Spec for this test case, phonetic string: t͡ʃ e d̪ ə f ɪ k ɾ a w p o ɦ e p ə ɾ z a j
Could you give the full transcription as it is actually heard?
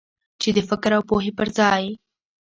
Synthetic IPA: t͡ʃ e d̪ ə f ɪ k ɾ a w p o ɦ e p ə ɾ z ɑ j